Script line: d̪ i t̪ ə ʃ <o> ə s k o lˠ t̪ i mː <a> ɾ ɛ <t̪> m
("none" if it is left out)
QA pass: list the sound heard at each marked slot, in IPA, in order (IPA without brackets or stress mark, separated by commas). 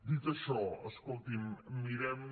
ɔ, i, none